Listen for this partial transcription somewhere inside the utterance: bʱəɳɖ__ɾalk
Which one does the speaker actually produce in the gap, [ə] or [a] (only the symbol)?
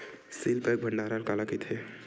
a